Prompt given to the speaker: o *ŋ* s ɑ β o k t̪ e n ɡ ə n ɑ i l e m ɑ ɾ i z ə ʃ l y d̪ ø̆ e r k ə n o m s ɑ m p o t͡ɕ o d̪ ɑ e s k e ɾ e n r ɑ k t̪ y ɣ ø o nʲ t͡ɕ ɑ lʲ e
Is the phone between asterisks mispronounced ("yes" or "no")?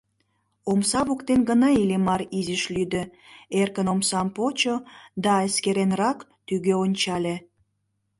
yes